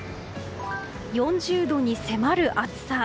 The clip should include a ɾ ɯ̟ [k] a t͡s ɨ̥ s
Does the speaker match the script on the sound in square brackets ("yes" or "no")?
no